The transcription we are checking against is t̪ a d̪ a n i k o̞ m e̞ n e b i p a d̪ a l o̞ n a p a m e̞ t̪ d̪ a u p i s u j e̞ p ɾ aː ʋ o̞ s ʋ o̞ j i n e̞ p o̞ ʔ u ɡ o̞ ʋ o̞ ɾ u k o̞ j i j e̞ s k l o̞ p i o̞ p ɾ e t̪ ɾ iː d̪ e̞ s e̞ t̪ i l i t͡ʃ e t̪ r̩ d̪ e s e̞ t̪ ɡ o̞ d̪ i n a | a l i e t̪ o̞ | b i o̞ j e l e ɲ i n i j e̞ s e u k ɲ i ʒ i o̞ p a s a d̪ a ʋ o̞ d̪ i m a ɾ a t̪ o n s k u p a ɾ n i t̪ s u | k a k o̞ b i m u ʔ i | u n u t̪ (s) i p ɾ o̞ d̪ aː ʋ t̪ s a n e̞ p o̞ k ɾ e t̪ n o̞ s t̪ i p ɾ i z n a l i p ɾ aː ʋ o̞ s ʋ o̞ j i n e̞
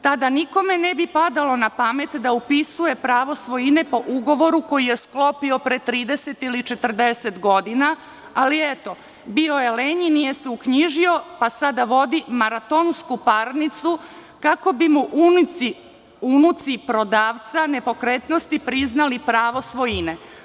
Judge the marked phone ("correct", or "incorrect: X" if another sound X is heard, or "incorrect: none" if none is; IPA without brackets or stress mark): correct